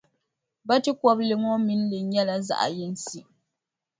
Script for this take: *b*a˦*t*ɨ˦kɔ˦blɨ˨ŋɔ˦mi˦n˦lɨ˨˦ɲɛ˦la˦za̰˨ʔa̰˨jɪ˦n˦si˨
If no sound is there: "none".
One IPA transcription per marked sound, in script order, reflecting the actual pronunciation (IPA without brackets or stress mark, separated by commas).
b, t